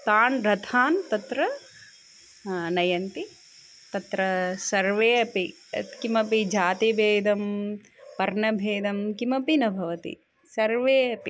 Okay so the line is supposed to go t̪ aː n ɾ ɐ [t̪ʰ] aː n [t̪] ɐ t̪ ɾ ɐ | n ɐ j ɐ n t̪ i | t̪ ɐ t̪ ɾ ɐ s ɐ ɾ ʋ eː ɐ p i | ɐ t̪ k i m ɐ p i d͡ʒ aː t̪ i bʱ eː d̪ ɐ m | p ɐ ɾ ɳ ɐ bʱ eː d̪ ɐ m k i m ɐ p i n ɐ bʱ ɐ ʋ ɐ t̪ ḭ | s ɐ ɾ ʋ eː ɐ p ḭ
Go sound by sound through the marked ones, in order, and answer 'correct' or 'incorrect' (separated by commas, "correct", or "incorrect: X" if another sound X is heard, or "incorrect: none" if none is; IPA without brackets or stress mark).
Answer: correct, correct